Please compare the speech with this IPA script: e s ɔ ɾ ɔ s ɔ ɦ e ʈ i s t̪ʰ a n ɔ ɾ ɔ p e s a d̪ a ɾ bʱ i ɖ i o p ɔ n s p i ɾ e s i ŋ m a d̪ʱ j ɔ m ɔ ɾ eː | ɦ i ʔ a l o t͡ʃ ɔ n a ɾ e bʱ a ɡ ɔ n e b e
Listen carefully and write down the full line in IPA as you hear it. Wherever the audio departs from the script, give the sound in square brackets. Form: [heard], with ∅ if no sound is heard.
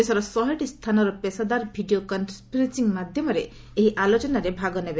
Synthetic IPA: e s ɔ ɾ ɔ s ɔ ɦ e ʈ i s t̪ʰ a n ɔ ɾ ɔ p e s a d̪ a ɾ bʱ i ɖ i o [k] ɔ n s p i ɾ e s i ŋ m a d̪ʱ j ɔ m ɔ ɾ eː | ɦ i ʔ a l o t͡ʃ ɔ n a ɾ e bʱ a ɡ ɔ n e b e